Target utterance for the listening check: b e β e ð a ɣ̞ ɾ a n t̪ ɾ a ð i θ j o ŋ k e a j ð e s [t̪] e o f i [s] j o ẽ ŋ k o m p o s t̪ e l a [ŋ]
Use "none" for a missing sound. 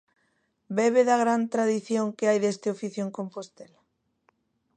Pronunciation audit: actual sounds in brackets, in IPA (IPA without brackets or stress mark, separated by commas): t̪, θ, none